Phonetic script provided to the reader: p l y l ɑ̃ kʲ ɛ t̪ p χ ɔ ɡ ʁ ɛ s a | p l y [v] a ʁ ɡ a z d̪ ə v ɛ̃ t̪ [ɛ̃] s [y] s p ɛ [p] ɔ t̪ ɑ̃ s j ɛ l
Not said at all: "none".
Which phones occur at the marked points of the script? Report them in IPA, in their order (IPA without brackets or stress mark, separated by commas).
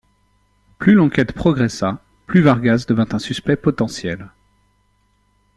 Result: v, ɛ̃, y, p